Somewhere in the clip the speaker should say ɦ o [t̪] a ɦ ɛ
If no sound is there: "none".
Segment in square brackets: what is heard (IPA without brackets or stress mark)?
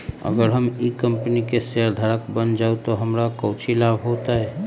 t̪